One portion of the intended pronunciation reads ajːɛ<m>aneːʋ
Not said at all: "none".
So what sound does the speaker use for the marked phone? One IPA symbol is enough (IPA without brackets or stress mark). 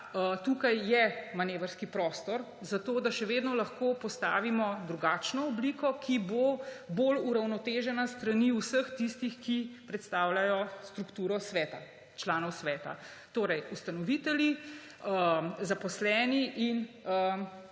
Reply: m